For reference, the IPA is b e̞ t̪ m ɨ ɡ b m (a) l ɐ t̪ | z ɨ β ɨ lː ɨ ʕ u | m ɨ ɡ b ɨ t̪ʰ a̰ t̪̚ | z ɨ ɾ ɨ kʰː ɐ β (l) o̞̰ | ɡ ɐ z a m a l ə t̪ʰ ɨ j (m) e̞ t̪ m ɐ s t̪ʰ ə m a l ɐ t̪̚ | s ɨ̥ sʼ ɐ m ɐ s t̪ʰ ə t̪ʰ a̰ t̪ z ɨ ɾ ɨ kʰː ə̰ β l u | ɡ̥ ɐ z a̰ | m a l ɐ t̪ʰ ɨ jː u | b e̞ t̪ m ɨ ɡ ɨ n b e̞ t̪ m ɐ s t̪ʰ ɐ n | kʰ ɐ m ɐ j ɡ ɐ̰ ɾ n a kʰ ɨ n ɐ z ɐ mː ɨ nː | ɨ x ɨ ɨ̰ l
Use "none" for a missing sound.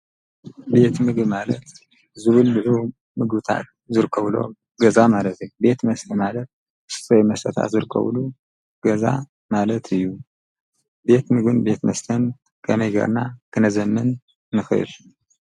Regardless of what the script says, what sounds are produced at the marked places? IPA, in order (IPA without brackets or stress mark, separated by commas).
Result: a, l, b